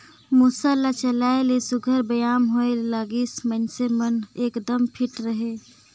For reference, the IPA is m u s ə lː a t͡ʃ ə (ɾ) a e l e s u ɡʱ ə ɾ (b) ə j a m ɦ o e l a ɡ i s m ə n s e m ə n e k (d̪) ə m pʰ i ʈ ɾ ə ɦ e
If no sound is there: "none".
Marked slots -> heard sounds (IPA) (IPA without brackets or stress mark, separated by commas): l, b, d̪